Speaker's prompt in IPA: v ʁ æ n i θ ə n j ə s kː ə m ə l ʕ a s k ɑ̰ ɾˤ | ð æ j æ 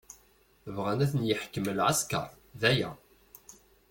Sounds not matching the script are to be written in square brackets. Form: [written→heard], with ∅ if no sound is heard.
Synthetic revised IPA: v ʁ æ n [i→æ] θ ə n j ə [s→ħ] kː ə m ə l ʕ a s k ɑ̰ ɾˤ | ð æ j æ